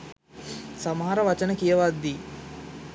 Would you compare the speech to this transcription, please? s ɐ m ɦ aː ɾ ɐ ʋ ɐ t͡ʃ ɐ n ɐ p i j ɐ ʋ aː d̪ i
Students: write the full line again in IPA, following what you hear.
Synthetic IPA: s ɐ m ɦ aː ɾ ɐ ʋ ɐ t͡ʃ ɐ n ɐ k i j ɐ ʋ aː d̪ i